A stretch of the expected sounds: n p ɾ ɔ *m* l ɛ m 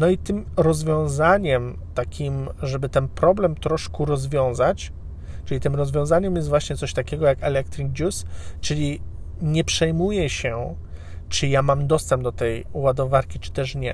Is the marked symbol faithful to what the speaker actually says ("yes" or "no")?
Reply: no